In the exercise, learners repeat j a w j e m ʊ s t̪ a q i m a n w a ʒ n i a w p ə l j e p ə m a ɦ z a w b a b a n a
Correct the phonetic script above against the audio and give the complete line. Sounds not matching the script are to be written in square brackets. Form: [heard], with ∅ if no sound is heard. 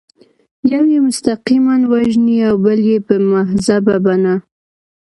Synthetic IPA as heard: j a w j e m ʊ s t̪ a q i m a n w a ʒ n i a w [b] ə l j e p ə m a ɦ z a [∅] b a b a n a